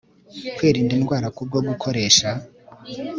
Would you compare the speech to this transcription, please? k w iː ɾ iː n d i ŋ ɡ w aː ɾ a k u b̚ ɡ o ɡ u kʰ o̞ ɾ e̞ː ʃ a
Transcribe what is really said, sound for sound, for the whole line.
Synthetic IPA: k w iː ɾ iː n d i n ɡ w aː ɾ a k u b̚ ɡ o ɡ u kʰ o̞ ɾ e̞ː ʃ a